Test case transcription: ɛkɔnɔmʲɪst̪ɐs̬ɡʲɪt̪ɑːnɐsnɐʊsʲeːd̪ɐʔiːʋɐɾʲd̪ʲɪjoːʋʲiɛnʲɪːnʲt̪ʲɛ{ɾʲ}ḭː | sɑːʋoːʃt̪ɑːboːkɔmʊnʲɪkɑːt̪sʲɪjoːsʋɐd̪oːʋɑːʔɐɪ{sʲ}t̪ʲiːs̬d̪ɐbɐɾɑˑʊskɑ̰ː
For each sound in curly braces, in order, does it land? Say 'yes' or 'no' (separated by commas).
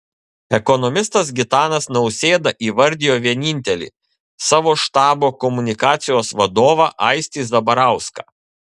no, yes